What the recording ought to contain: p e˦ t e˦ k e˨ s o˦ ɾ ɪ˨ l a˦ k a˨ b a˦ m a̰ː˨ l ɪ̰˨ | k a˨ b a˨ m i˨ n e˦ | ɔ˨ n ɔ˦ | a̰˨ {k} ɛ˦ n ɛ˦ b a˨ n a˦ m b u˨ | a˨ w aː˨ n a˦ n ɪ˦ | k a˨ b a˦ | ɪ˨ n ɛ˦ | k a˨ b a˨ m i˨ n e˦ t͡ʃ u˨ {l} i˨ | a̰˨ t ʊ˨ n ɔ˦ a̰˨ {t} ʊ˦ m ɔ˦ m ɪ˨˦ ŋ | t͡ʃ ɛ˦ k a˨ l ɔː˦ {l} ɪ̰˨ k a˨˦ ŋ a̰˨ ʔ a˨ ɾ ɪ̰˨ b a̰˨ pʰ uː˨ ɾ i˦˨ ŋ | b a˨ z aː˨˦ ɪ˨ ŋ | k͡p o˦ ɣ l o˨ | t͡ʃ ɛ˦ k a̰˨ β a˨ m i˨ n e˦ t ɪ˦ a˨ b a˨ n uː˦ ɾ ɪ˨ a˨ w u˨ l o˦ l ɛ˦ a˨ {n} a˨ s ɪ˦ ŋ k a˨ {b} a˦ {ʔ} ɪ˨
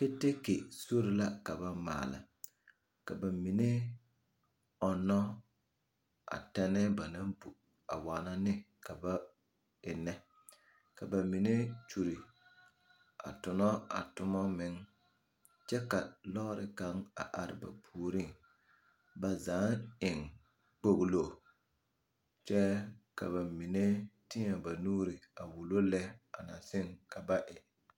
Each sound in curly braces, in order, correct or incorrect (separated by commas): incorrect, incorrect, correct, incorrect, correct, correct, correct